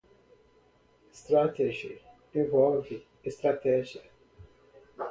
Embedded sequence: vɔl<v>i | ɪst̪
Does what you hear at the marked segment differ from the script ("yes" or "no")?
no